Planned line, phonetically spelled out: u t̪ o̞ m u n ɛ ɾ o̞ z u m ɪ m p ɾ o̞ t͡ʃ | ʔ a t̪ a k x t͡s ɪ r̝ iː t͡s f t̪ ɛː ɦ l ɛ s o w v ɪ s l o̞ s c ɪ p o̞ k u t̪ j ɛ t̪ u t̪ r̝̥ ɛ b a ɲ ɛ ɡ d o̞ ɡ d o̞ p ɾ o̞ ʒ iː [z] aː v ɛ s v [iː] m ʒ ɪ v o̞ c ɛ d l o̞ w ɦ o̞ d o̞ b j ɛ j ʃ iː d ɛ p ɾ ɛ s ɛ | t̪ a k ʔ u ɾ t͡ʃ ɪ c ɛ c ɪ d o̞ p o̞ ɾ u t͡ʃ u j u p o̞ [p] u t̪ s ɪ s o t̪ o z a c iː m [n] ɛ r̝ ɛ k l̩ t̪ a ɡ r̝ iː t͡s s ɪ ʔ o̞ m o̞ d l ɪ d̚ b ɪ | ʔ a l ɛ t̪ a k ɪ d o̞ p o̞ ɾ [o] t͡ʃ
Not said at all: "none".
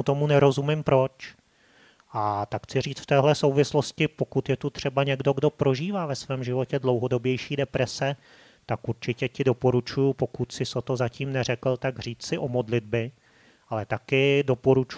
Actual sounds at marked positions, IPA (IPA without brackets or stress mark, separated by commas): v, ɛː, k, n, u